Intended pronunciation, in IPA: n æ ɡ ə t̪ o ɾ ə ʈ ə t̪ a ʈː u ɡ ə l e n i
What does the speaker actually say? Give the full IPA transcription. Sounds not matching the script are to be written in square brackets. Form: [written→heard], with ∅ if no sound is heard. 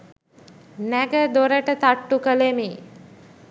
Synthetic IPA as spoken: n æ ɡ ə [t̪→d̪] o ɾ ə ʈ ə t̪ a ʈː u [ɡ→k] ə l e [n→m] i